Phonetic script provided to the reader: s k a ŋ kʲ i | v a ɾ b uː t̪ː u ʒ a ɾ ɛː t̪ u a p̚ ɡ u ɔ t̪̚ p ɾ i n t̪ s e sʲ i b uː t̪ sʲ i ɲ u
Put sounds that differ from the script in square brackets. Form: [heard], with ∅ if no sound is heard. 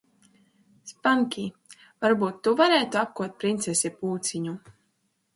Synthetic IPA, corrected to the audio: s [p] a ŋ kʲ i | v a ɾ b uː t̪ː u [v] a ɾ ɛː t̪ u a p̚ [k] u ɔ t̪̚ p ɾ i n t̪ s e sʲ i [p] uː t̪ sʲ i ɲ u